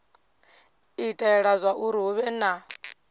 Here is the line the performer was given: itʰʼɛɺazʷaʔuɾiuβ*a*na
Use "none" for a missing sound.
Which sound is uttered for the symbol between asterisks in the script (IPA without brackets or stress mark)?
ɛ